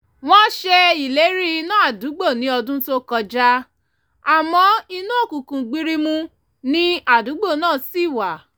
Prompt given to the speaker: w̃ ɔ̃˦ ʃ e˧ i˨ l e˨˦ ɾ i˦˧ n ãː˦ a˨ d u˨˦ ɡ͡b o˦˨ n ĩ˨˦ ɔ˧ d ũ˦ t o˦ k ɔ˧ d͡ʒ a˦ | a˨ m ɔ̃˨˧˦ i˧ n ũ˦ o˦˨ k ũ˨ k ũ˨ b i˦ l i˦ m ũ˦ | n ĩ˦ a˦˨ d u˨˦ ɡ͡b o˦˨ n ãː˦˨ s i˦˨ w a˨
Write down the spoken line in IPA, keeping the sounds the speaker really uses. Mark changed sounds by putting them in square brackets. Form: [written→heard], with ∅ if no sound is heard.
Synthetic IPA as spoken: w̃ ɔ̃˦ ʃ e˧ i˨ l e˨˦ ɾ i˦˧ n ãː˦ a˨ d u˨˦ ɡ͡b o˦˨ n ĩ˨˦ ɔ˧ d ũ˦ t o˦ k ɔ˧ d͡ʒ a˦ | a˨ m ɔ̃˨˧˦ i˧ n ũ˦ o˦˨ k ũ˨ k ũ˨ [b→ɡ͡b] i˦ [l→ɾ] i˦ m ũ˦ | n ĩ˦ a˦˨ d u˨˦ ɡ͡b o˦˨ n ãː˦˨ s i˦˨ w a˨

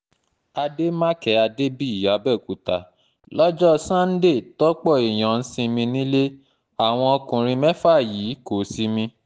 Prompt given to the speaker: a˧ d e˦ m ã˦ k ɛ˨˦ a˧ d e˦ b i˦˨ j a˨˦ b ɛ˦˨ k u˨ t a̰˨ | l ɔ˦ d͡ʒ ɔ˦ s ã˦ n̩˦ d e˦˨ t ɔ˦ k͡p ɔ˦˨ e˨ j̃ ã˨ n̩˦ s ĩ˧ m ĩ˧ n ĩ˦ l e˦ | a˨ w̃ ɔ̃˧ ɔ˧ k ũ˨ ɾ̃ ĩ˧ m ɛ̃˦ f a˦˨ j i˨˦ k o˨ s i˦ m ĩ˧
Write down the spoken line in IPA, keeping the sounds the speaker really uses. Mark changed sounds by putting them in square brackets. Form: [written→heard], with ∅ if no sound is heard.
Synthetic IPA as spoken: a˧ d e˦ m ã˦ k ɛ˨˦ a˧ d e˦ b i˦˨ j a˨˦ b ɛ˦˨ k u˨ t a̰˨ | l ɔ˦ d͡ʒ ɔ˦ s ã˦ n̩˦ d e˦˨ t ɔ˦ k͡p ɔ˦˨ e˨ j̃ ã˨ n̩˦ s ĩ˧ m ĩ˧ n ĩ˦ l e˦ | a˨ w̃ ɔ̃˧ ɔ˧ k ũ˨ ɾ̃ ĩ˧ m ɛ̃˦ f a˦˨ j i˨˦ k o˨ s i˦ m ĩ˧

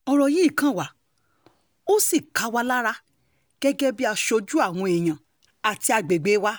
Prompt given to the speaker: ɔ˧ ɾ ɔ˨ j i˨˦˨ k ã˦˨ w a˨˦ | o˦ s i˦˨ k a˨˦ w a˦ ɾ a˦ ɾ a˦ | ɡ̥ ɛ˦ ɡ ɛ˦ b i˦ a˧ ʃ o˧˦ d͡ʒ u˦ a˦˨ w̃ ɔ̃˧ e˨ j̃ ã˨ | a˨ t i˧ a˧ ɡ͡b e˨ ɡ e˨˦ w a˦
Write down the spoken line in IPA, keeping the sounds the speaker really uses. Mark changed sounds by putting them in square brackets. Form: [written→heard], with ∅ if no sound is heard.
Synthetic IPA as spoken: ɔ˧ ɾ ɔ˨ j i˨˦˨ k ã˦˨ w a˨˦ | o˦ s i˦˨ k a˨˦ w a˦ [ɾ→l] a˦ ɾ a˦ | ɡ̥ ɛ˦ ɡ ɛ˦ b i˦ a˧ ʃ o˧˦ d͡ʒ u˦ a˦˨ w̃ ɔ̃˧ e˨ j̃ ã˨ | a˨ t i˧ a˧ ɡ͡b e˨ [ɡ→ɡ͡b] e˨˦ w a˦

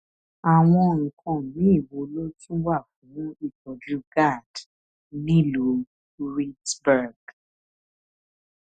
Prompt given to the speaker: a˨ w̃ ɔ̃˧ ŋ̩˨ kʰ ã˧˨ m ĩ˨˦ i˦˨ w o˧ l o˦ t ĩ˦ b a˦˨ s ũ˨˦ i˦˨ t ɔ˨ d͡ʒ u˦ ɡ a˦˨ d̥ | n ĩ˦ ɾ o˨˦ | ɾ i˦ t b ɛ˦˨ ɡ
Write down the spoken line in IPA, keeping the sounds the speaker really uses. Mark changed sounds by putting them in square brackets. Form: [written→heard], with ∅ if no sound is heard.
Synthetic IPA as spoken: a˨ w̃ ɔ̃˧ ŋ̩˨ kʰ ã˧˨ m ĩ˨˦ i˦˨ w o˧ l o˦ t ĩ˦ [b→w] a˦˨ [s→f] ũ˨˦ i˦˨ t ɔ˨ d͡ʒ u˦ ɡ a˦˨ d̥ | n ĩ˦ [ɾ→l] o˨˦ | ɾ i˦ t b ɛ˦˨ ɡ

